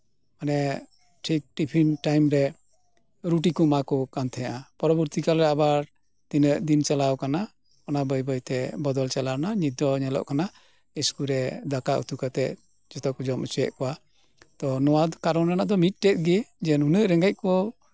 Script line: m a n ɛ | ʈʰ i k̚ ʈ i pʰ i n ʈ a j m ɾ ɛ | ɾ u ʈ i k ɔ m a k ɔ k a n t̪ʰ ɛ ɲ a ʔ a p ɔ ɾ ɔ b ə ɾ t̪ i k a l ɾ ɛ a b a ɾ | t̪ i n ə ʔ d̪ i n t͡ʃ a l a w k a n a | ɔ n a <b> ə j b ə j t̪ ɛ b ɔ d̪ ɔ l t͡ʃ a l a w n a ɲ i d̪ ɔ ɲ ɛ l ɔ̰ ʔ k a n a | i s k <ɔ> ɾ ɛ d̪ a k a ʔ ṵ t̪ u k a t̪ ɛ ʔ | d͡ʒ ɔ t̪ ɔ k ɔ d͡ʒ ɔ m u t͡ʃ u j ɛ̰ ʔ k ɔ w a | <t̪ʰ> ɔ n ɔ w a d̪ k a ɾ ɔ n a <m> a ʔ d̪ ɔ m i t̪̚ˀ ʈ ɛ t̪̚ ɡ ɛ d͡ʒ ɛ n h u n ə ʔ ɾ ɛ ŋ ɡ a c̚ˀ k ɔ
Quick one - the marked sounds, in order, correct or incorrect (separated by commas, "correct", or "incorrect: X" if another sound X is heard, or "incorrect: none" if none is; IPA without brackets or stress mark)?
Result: correct, incorrect: u, incorrect: t̪, incorrect: n